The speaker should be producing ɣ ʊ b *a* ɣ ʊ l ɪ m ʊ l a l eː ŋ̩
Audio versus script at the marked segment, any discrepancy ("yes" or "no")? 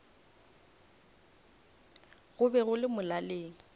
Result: yes